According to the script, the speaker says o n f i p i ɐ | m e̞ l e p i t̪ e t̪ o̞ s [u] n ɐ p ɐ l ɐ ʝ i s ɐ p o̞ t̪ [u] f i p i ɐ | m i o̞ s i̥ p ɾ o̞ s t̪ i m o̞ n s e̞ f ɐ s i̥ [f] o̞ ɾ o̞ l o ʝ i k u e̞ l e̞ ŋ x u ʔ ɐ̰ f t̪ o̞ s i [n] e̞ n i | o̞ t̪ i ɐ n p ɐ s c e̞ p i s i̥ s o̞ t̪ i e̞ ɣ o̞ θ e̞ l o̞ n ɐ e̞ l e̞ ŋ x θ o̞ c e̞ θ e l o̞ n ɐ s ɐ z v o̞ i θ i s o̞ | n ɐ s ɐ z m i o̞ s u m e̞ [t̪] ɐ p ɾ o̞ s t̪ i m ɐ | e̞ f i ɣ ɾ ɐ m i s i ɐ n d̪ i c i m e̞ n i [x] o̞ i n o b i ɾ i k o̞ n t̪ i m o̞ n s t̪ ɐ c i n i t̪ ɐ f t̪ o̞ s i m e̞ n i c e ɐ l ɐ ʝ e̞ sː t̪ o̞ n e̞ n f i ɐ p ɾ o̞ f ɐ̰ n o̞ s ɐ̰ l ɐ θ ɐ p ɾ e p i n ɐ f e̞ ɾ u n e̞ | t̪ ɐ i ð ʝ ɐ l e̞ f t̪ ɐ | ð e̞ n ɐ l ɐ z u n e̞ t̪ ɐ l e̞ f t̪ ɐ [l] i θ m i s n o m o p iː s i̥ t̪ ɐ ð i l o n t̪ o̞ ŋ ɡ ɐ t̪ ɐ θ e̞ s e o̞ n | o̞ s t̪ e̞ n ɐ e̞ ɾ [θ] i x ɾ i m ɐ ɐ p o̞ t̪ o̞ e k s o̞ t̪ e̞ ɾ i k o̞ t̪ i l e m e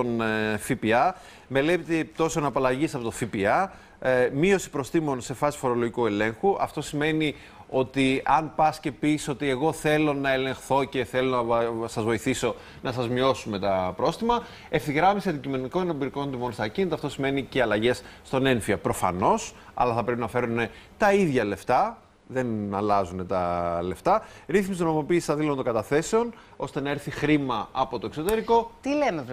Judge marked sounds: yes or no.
no, no, yes, no, yes, no, no, yes

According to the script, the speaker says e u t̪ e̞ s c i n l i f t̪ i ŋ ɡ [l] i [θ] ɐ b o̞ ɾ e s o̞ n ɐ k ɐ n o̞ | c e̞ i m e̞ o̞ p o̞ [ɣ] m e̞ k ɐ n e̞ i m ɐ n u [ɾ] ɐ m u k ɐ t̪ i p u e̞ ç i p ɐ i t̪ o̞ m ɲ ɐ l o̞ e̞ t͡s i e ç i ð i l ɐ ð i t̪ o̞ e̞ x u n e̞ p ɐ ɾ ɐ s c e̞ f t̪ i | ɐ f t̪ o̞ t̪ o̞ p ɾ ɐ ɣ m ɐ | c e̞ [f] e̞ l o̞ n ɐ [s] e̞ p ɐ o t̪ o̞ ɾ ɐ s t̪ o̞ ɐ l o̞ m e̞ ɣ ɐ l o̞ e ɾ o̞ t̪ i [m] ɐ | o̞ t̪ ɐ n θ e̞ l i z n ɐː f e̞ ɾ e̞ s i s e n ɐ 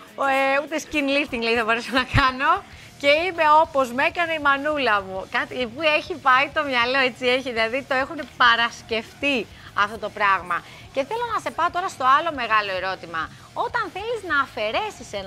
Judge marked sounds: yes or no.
yes, yes, no, no, no, yes, yes

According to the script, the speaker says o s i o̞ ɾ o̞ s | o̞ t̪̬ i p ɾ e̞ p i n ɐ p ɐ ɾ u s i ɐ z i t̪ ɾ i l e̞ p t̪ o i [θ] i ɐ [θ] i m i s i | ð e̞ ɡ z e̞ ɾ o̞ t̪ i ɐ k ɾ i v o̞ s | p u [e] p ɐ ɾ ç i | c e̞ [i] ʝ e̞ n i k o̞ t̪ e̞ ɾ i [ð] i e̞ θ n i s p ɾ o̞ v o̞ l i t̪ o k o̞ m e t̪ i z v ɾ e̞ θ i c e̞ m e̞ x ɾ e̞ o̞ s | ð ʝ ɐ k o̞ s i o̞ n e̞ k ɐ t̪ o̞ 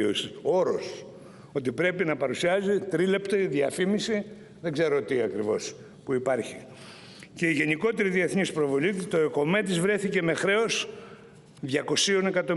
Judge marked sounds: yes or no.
no, no, no, yes, yes

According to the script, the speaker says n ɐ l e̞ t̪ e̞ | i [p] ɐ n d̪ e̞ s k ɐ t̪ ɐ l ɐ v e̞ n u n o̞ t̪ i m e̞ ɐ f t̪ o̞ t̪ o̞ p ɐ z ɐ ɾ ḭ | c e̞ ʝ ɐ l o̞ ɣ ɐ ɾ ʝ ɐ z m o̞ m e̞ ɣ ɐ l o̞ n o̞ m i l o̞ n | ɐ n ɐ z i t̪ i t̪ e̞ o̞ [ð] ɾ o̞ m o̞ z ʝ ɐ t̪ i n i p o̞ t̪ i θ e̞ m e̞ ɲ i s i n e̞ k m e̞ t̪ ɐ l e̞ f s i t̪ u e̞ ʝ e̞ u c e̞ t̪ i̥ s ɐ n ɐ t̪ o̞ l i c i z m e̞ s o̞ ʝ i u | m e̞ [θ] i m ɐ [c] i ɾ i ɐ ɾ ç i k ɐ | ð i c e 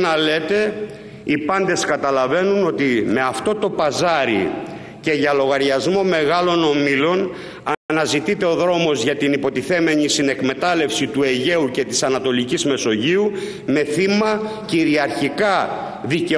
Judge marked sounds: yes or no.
yes, yes, yes, yes

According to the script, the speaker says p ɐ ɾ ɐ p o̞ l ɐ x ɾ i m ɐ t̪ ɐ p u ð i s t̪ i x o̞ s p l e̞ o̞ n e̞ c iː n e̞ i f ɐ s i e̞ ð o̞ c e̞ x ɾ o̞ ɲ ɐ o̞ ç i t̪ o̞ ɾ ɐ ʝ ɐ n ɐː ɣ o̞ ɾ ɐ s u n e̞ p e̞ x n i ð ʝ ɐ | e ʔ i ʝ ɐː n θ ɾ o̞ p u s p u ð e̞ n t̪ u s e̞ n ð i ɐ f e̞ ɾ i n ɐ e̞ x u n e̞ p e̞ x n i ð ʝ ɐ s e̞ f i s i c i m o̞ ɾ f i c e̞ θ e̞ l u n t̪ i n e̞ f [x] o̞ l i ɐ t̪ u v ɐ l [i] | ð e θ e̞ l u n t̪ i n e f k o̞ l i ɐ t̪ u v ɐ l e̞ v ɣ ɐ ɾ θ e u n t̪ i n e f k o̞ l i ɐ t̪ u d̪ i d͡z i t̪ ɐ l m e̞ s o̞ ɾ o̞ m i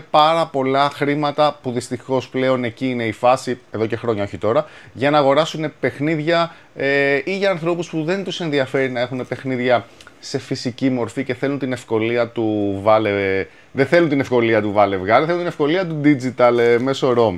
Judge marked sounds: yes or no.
no, no

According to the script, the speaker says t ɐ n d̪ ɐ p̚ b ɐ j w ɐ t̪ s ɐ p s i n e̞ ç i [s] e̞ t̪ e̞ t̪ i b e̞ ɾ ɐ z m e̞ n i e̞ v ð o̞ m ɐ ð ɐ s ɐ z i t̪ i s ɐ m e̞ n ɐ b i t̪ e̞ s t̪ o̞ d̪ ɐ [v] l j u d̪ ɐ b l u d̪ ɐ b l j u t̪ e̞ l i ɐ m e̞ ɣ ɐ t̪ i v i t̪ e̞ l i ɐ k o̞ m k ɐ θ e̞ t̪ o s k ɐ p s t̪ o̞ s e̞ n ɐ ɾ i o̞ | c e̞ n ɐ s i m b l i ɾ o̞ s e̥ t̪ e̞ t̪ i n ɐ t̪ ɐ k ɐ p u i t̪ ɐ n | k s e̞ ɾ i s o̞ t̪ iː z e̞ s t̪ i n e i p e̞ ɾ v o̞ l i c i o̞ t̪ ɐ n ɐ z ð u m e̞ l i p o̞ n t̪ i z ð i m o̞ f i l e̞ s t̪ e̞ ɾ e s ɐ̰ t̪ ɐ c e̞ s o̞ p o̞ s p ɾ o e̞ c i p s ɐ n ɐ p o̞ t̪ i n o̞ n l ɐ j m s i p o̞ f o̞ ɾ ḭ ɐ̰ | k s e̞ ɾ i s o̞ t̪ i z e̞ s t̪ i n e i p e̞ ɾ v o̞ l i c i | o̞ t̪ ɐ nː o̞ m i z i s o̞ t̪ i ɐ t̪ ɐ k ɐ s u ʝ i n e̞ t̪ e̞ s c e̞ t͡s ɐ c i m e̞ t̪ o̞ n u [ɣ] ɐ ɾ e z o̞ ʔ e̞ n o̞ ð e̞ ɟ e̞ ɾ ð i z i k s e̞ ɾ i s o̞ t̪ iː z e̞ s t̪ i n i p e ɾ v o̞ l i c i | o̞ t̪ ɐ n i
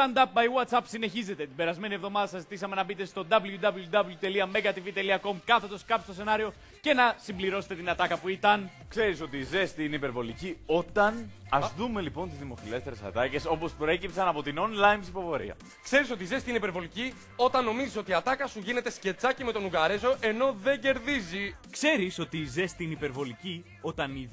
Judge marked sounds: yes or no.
no, no, yes

